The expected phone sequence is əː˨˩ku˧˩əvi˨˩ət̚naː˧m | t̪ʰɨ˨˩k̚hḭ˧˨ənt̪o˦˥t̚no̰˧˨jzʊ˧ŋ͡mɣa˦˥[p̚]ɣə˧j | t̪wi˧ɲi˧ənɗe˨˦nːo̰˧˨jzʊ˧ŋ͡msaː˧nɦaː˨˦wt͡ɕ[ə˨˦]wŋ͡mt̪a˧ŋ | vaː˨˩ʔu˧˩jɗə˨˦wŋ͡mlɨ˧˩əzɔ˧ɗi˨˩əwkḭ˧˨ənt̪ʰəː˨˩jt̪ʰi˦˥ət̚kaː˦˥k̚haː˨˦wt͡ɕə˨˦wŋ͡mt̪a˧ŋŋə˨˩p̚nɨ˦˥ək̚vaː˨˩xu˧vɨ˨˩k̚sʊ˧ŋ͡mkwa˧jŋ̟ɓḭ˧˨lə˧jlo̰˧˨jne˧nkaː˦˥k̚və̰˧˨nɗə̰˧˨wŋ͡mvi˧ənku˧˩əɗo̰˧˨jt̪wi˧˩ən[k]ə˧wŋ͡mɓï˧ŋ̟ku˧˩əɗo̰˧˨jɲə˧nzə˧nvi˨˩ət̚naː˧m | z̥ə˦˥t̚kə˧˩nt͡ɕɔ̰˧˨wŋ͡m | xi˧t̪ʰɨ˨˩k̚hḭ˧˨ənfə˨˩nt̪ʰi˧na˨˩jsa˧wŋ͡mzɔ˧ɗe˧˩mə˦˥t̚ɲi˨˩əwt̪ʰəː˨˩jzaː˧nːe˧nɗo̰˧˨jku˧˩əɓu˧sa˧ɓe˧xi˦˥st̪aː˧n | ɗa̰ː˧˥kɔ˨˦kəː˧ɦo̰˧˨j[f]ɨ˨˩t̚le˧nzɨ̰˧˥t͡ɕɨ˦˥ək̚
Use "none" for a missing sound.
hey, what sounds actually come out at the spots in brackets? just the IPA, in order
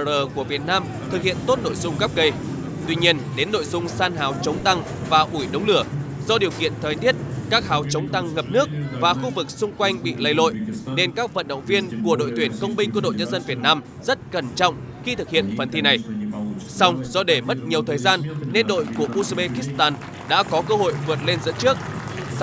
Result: p̚, ə˨˦, k, v

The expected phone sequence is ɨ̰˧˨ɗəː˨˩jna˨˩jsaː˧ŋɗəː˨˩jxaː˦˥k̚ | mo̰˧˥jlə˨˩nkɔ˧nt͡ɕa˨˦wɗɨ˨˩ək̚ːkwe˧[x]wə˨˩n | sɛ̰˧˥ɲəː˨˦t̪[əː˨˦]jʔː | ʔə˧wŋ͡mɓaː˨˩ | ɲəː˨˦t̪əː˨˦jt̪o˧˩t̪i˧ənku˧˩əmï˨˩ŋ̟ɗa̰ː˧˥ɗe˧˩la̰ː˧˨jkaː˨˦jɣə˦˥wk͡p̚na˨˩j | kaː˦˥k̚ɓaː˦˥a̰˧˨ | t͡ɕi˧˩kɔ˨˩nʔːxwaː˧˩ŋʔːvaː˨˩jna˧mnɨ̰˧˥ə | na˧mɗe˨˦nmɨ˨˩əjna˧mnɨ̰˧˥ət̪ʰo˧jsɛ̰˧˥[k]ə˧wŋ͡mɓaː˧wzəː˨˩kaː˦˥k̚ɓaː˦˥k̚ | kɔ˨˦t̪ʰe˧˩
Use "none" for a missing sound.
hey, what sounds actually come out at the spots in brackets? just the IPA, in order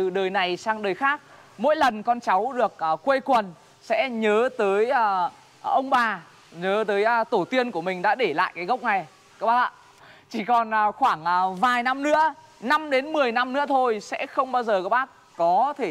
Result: k, əː˨˦, x

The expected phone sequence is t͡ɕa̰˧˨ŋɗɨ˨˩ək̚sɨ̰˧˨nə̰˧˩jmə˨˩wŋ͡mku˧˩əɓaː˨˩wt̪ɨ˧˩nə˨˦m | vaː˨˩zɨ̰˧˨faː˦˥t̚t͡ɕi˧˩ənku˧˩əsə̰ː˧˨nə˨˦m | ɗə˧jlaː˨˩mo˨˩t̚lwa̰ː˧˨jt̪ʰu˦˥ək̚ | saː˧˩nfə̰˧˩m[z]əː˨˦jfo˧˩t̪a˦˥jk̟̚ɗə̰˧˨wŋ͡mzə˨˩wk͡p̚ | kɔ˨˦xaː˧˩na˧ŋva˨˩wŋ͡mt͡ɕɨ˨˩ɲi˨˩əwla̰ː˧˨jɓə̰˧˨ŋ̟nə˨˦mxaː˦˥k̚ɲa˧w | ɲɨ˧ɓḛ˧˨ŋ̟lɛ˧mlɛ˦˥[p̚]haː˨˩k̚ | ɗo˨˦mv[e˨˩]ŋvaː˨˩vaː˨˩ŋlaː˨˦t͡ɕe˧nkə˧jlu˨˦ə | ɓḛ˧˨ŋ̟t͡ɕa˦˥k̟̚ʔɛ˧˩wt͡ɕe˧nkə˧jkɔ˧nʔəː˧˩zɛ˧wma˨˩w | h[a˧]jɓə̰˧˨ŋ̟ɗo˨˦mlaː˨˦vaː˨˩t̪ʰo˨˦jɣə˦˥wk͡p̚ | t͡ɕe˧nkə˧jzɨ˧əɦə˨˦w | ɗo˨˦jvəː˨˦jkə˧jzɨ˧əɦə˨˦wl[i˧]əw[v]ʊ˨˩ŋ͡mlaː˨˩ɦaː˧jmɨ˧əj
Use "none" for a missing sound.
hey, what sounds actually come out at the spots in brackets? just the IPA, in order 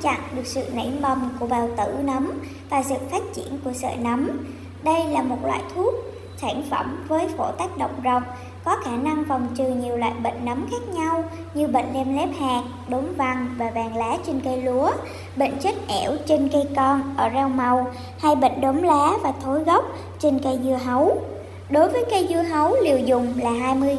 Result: v, p̚, a˨˩, a˧, i˨˩, z

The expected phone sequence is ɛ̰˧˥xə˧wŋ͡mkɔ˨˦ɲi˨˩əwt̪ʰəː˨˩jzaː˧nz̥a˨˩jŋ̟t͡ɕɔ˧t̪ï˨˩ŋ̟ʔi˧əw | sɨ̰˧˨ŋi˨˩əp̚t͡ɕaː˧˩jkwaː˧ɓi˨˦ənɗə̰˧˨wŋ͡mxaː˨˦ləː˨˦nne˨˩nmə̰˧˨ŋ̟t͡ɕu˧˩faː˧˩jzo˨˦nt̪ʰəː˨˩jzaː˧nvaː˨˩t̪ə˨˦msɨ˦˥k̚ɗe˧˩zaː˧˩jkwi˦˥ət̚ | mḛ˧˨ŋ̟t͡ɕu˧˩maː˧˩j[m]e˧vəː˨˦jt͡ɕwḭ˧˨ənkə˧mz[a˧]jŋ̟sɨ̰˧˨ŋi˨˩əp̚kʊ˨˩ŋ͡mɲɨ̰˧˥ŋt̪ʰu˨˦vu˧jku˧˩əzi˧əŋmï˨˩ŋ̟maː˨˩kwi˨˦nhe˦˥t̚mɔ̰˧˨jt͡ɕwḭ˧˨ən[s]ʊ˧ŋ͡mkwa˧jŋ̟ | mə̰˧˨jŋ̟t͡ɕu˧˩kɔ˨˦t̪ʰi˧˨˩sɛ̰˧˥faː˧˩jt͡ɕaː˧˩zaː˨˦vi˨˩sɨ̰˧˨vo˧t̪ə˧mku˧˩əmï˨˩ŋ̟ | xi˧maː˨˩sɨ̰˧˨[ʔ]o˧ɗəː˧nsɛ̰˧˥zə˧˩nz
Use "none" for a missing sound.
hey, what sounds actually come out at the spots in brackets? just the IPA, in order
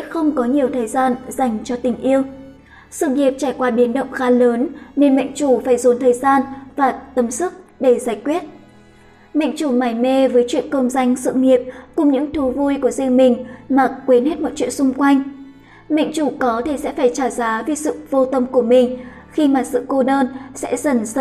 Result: m, a˧, s, k

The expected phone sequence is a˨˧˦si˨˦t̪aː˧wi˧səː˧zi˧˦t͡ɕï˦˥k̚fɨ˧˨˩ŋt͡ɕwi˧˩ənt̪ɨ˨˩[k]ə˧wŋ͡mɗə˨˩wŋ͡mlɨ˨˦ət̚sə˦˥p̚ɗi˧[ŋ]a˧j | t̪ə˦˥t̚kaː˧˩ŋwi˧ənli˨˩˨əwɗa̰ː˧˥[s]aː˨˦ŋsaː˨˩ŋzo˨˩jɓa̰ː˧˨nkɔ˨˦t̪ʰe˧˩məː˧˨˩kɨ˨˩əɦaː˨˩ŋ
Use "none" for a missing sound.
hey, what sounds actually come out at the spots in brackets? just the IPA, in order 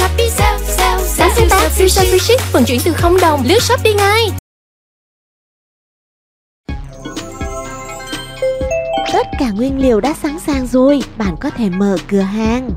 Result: x, ŋ, s

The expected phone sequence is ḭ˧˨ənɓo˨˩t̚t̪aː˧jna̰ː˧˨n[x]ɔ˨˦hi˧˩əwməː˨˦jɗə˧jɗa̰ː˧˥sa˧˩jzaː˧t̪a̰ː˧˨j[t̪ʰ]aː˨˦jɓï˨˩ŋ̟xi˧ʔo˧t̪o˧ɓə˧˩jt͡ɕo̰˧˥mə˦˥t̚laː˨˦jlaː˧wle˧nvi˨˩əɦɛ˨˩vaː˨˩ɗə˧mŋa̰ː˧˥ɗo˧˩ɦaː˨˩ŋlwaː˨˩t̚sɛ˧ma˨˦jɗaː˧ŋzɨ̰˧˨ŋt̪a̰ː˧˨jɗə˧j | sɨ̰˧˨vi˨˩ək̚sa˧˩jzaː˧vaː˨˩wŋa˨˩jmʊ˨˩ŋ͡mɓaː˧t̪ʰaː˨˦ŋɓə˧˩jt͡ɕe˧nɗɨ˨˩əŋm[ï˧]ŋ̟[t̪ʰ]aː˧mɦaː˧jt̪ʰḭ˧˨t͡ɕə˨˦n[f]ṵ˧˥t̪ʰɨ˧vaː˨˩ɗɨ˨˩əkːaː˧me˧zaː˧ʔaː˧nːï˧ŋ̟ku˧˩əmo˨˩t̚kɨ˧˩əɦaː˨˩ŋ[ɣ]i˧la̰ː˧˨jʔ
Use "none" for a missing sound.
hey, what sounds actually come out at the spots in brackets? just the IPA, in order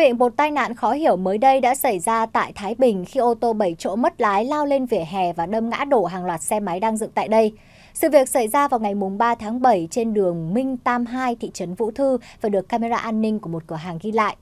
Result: x, t̪ʰ, ï˧, t̪, v, ɣ

